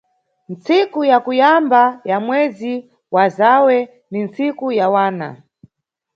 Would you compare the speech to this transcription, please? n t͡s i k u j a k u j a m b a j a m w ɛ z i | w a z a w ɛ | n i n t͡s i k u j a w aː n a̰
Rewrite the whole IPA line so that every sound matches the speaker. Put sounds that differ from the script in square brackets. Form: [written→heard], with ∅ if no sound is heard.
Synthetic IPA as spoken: n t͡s i k u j a k u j a m b a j a m w ɛ z i | w a z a w ɛ | n i n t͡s i k u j a w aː n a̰